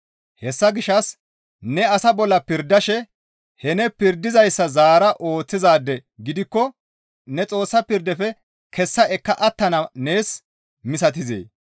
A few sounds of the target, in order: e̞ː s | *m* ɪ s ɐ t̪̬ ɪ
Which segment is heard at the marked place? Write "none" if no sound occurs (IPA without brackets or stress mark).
m